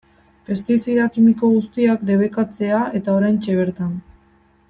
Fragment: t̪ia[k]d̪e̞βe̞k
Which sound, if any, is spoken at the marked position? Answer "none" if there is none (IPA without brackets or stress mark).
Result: k